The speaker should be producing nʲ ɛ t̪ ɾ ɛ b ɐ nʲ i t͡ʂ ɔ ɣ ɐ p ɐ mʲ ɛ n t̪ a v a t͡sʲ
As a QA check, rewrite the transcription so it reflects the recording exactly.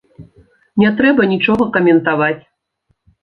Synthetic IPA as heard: nʲ ɛ t̪ ɾ ɛ b ɐ nʲ i t͡ʂ ɔ ɣ ɐ k ɐ mʲ ɛ n t̪ a v a t͡sʲ